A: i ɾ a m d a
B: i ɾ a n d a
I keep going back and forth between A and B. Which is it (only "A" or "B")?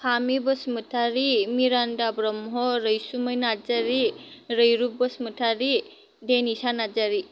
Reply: B